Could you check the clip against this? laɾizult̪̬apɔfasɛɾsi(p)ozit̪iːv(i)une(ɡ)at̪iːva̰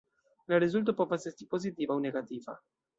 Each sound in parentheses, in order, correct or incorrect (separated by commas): correct, incorrect, correct